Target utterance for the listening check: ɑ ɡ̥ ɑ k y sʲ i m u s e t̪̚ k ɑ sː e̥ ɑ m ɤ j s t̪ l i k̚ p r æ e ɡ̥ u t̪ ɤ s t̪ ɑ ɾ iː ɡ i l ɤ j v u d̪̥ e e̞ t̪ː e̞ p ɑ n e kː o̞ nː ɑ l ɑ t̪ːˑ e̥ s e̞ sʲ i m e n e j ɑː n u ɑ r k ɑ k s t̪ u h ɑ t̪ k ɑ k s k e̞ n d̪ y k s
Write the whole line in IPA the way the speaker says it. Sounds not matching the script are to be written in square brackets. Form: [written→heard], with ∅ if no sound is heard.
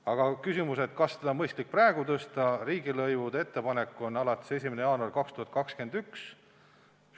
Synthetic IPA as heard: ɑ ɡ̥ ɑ k y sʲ i m u s e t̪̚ k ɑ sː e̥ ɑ m ɤ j s t̪ l i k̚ p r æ e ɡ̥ u t̪ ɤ s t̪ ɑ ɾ iː ɡ i l ɤ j v u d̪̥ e e̞ t̪ː e̞ p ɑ n e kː o̞ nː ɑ l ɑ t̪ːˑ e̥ s e̞ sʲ i m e n e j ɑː n u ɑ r k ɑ k s t̪ u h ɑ t̪ k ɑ k s k e̞ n d̪ y k s